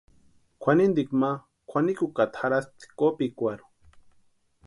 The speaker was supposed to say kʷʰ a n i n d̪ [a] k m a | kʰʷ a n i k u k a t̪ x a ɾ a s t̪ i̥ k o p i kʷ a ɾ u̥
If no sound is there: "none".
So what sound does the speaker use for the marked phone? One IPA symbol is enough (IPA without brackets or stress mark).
i